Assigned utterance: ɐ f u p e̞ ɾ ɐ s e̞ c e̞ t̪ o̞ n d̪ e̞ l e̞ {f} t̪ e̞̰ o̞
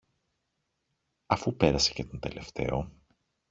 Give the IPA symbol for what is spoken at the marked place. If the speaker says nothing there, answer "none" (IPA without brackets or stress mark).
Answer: f